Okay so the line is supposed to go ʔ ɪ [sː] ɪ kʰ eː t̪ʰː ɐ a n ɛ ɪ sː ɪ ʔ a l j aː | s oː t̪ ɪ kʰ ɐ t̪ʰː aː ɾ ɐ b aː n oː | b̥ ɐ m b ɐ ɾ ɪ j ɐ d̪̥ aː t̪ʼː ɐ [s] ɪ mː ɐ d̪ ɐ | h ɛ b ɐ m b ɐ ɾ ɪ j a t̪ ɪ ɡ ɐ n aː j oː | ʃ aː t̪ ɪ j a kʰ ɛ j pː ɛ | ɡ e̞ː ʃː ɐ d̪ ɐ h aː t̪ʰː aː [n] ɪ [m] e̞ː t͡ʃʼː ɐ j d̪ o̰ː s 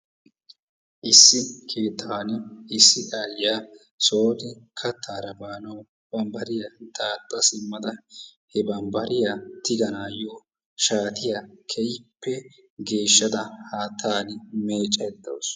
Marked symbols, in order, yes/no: yes, yes, yes, yes

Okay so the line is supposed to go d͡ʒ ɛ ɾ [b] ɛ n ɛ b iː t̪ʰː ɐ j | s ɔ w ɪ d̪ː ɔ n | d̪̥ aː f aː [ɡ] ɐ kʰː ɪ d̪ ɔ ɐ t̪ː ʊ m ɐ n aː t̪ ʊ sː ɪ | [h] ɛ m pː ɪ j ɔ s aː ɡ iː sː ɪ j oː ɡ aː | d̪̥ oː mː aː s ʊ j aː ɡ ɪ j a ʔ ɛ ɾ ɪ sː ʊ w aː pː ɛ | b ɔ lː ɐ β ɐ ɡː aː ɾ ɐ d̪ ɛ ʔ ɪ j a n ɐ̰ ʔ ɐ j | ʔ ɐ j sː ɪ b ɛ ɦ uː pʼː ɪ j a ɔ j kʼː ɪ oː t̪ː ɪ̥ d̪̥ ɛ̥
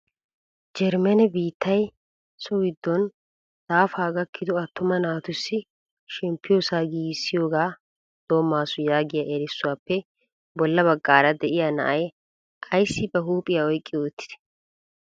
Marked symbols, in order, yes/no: no, yes, no

